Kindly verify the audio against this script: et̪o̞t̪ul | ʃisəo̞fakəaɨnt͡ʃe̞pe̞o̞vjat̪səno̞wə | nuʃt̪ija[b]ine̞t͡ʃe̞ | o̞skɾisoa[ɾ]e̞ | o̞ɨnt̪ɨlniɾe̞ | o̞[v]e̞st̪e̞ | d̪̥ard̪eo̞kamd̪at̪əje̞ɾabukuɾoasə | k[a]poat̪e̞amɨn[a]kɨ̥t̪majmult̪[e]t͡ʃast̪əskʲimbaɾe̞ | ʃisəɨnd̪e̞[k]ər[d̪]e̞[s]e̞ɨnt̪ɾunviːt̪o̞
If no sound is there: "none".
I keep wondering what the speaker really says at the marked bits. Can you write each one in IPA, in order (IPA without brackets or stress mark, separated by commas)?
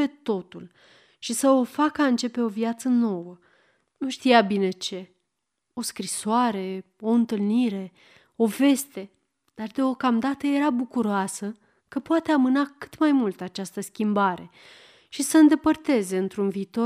b, ɾ, v, ə, a, a, p, t̪, z